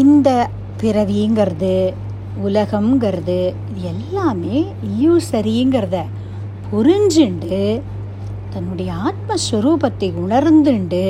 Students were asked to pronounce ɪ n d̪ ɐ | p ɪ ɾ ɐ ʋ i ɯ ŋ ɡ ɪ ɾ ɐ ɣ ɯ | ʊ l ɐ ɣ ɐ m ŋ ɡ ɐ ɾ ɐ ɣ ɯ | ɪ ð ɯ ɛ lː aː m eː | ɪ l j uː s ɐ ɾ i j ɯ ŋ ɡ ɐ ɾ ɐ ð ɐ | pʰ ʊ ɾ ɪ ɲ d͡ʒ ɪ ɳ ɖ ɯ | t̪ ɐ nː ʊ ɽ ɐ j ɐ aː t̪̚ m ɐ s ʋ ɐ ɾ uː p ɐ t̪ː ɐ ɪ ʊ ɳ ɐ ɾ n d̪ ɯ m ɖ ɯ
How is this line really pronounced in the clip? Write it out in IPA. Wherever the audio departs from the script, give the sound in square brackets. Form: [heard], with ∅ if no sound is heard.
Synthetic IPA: ɪ n d̪ ɐ | p ɪ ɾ ɐ ʋ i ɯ ŋ ɡ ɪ ɾ ɐ [ð] ɯ | ʊ l ɐ ɣ ɐ m ŋ ɡ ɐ ɾ ɐ [ð] ɯ | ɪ ð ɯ ɛ lː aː m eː | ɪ l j uː s ɐ ɾ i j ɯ ŋ ɡ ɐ ɾ ɐ ð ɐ | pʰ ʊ ɾ ɪ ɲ d͡ʒ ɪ ɳ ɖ ɯ | t̪ ɐ nː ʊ ɽ ɐ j ɐ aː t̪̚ m ɐ s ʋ ɐ ɾ uː p ɐ t̪ː ɐ ɪ ʊ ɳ ɐ ɾ n d̪ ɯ [ɳ] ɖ ɯ